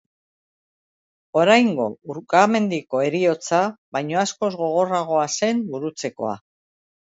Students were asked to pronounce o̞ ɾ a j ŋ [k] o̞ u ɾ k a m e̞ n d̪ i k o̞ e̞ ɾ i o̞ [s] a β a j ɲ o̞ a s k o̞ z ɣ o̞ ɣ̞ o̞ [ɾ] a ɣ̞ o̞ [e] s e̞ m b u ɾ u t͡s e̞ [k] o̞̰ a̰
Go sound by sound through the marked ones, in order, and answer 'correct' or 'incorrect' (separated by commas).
incorrect, incorrect, incorrect, incorrect, correct